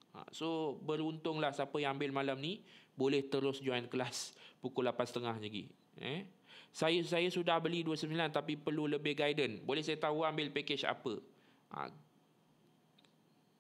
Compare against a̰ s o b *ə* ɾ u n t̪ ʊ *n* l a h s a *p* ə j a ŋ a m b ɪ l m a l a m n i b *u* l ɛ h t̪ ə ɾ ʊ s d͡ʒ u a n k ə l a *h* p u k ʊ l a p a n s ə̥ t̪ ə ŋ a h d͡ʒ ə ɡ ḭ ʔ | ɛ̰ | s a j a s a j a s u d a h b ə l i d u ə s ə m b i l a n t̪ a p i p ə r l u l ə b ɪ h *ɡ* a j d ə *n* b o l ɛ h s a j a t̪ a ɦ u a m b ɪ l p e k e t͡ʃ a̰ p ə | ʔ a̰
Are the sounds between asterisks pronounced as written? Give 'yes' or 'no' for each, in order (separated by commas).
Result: yes, no, yes, no, no, yes, yes